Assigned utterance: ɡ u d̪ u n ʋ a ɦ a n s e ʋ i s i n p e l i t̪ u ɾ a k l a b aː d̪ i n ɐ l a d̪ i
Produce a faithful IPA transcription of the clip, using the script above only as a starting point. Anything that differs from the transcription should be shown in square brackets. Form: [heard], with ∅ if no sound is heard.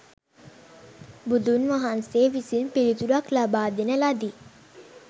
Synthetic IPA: [b] u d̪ u n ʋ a ɦ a n s e ʋ i s i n p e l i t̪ u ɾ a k l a b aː d̪ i n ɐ l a d̪ i

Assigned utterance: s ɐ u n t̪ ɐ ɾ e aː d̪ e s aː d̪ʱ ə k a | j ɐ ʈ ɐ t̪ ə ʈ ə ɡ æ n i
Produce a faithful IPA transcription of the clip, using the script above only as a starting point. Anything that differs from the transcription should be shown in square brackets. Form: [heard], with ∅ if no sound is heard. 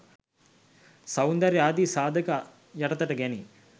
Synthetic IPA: s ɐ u n [d̪] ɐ ɾ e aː d̪ [i] s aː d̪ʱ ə k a | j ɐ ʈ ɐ t̪ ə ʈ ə ɡ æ n i

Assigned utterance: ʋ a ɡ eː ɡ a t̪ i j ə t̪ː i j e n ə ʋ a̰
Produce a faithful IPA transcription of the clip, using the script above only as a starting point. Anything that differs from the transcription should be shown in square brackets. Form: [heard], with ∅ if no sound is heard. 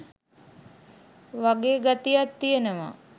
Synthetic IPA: ʋ a ɡ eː ɡ a t̪ i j [a] t̪ː i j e n ə ʋ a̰

